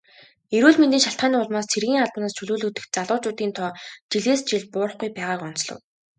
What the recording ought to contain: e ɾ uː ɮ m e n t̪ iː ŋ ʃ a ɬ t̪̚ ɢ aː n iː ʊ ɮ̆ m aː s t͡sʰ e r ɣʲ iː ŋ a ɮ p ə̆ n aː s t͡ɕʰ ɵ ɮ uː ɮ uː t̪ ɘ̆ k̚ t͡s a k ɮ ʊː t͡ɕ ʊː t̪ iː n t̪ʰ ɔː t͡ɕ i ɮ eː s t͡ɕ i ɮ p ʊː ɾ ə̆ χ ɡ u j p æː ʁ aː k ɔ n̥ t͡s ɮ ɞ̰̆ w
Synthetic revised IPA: e ɾ uː ɮ m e n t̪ iː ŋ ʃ a ɬ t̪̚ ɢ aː n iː ʊ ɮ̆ m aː s t͡sʰ e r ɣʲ iː ŋ a ɮ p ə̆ n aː s t͡ɕʰ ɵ ɮ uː ɮ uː t̪ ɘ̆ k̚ t͡s a ɮ ʊː t͡ɕ ʊː t̪ iː n t̪ʰ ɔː t͡ɕ i ɮ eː s t͡ɕ i ɮ p ʊː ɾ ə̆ χ ɡ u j p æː ʁ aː k ɔ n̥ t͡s ɮ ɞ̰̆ w